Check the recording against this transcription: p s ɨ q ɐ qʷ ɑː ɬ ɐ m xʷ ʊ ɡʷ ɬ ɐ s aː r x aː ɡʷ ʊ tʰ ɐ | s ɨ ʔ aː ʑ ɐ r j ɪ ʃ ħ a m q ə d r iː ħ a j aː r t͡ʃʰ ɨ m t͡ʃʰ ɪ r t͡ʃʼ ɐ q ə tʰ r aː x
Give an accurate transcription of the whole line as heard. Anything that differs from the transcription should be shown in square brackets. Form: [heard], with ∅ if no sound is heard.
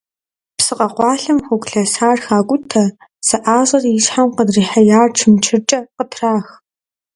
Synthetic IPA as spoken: p s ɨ q ɐ qʷ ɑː ɬ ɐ m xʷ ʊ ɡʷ ɬ ɐ s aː r x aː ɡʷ ʊ tʰ ɐ | s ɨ ʔ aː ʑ ɐ r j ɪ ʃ ħ a m q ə d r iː ħ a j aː r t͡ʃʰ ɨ m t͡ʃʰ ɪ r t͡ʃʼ ɐ q ə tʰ r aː x